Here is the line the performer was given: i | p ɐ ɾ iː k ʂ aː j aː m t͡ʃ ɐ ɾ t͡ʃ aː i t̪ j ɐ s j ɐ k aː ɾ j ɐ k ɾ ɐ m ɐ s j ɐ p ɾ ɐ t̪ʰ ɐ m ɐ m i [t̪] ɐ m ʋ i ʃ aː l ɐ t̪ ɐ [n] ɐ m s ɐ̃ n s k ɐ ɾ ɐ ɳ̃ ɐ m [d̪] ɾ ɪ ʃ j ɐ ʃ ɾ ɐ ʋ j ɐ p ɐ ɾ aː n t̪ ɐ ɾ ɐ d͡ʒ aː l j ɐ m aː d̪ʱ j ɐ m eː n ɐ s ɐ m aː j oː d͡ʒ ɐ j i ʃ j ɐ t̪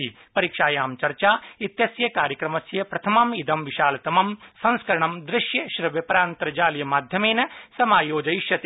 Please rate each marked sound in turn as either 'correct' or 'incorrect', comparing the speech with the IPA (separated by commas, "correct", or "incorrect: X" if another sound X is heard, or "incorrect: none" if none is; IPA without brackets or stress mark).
incorrect: d̪, incorrect: m, correct